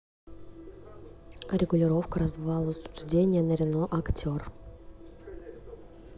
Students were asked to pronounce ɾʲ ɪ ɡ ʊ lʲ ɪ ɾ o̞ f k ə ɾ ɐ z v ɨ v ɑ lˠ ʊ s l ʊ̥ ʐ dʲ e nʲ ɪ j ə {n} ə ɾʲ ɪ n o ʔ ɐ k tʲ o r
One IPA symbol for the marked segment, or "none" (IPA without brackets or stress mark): n